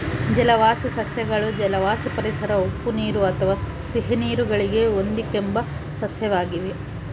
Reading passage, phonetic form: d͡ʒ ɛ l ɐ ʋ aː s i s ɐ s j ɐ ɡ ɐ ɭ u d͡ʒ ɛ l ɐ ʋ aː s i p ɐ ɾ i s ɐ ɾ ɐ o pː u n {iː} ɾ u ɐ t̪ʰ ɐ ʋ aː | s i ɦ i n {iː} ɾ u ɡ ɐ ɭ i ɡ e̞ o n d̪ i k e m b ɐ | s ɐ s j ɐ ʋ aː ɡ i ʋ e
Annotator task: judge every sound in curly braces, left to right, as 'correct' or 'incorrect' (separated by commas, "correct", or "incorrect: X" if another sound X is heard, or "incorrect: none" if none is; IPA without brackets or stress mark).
correct, correct